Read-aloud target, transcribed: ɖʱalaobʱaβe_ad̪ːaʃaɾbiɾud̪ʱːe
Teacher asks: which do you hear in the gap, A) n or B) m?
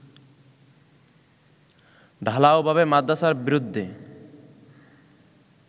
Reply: B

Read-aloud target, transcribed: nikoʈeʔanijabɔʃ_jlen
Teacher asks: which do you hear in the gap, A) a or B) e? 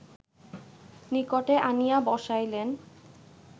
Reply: A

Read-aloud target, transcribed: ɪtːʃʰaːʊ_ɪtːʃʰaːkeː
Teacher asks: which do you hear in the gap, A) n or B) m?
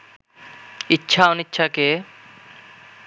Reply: A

